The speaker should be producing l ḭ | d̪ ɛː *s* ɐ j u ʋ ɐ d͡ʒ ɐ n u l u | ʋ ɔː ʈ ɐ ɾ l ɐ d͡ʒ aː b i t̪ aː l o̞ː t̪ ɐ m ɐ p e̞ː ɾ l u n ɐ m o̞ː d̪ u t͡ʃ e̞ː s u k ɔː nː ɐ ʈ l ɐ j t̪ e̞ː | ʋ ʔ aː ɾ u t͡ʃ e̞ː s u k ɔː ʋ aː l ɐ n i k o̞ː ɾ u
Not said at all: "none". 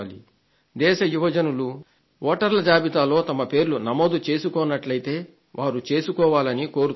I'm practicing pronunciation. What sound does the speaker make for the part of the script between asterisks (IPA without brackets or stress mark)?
ʃ